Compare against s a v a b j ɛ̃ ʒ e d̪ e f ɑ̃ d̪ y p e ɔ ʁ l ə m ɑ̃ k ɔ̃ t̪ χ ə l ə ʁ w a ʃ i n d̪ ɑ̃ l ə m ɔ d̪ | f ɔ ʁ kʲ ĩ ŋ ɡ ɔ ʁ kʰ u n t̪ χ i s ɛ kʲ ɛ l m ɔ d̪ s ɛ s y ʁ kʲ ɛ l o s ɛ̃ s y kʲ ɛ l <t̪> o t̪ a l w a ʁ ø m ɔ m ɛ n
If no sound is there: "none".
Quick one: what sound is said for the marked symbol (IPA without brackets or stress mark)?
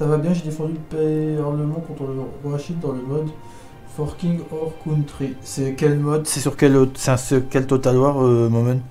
t̪